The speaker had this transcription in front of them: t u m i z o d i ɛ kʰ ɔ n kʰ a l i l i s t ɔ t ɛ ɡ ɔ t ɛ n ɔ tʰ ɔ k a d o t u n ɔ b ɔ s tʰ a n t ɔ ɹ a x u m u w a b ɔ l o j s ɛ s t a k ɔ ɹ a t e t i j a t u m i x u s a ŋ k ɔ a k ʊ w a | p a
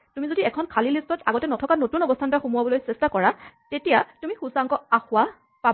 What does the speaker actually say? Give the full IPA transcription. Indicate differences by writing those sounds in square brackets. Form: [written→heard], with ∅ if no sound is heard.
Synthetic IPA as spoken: t u m i z o d i ɛ kʰ ɔ n kʰ a l i l i s t ɔ t [ɛ→a] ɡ ɔ t ɛ n ɔ tʰ ɔ k a [d→n] o t u n ɔ b ɔ s tʰ a n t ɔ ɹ a x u m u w a b ɔ l o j s ɛ s t a k ɔ ɹ a t e t i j a t u m i x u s a ŋ k ɔ a [k→x] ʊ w a | p a